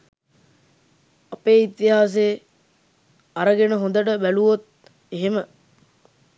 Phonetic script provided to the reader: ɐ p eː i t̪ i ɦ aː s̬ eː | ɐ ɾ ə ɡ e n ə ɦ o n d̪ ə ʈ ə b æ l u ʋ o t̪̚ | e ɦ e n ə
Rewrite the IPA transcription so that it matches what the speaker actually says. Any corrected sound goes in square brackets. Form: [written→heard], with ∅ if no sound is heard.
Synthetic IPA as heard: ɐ p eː i t̪ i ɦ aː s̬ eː | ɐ ɾ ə ɡ e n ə ɦ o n d̪ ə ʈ ə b æ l u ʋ o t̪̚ | e ɦ e [n→m] ə